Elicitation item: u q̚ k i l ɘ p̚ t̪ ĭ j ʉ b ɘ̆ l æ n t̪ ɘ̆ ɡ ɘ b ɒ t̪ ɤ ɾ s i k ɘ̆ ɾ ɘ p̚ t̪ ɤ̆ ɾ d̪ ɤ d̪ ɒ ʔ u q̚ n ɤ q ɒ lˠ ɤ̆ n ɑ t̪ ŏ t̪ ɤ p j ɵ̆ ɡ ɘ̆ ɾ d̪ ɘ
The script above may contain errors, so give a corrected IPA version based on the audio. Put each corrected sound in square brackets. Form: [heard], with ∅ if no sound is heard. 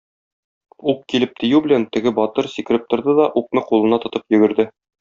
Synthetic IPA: u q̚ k i l ɘ p̚ t̪ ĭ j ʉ b ɘ̆ l æ n t̪ ɘ̆ ɡ ɘ b ɒ t̪ ɤ ɾ s i k ɘ̆ ɾ ɘ p̚ t̪ [ŏ] ɾ d̪ ɤ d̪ ɒ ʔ u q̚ n ɤ q [u] lˠ ɤ̆ n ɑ t̪ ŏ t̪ ɤ p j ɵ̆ ɡ ɘ̆ ɾ d̪ ɘ